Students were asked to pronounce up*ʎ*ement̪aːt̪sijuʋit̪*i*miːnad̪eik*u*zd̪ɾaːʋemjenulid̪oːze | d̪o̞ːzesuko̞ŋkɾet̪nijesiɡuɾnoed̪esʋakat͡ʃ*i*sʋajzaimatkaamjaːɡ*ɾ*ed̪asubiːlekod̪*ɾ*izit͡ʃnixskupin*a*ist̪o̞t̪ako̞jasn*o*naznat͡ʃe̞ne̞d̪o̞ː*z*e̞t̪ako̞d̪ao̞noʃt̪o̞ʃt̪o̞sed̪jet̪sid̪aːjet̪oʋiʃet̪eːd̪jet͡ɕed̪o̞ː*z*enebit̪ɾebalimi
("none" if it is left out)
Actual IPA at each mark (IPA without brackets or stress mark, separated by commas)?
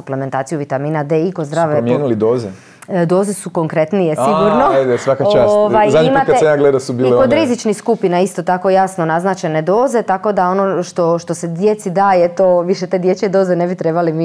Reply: l, a, o, a, l, ɾ, a, o, z, z